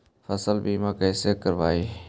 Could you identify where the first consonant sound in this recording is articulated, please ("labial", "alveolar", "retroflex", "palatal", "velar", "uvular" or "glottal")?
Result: labial